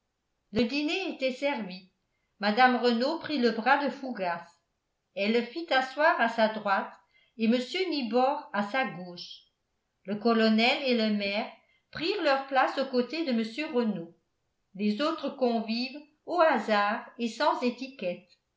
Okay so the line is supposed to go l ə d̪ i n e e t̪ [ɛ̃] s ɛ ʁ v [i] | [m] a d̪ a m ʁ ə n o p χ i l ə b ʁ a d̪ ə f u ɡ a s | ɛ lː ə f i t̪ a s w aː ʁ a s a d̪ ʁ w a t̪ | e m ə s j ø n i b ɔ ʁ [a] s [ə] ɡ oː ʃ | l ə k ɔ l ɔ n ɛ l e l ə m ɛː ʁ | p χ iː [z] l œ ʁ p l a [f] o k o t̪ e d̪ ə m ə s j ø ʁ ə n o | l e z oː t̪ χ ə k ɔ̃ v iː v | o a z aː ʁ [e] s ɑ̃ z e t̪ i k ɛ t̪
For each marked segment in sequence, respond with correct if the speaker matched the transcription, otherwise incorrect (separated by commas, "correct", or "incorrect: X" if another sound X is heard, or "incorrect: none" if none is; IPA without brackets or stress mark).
incorrect: ɛ, correct, correct, correct, incorrect: a, incorrect: ʁ, incorrect: s, correct